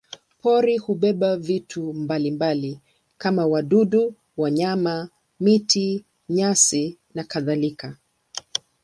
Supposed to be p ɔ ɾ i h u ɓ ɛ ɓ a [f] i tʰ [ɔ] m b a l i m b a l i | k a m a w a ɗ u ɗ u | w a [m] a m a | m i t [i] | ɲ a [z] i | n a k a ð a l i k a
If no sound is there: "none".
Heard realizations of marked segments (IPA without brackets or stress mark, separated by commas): v, u, ɲ, i, s